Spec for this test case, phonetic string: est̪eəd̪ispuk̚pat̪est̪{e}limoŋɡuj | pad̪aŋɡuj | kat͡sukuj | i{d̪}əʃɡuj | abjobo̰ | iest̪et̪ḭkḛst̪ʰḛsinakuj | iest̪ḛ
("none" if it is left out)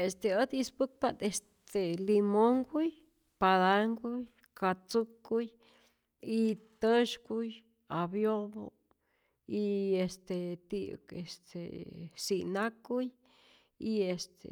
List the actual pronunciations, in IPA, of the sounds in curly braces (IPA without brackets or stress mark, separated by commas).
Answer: e, t̪